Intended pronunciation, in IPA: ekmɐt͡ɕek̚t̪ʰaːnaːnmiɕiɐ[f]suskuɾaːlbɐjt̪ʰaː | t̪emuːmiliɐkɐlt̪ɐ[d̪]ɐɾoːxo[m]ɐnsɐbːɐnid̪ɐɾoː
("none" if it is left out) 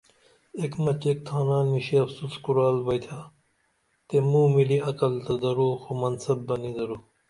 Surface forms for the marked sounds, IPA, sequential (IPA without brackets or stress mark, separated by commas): f, d̪, m